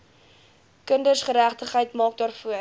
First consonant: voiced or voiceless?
voiceless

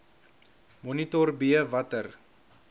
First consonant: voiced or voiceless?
voiced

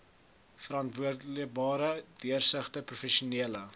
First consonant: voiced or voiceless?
voiceless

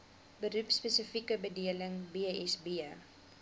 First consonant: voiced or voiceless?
voiced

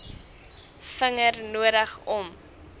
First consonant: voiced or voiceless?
voiceless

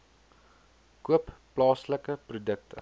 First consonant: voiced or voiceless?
voiceless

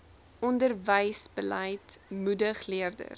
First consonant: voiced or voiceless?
voiced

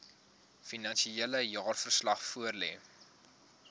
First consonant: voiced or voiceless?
voiceless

